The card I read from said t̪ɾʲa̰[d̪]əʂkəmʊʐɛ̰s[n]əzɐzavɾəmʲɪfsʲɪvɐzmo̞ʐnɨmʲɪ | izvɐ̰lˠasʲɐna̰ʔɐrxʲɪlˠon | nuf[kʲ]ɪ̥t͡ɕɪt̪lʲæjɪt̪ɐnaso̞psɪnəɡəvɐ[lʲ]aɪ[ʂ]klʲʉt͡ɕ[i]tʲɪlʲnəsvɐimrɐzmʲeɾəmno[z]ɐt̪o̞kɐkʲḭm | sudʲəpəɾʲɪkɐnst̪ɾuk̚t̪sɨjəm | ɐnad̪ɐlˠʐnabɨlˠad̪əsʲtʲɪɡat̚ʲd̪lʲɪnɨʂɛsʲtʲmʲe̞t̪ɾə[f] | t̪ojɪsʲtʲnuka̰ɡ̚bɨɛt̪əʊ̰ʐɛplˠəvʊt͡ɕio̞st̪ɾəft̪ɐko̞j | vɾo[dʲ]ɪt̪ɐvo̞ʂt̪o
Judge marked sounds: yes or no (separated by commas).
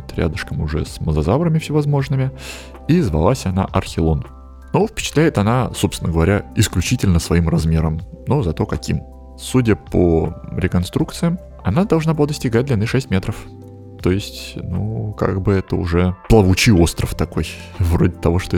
yes, no, no, no, no, yes, yes, yes, yes